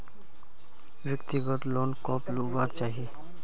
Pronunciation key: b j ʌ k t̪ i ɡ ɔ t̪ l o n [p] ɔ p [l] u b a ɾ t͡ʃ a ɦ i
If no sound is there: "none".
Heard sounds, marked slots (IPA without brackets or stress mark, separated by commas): k, l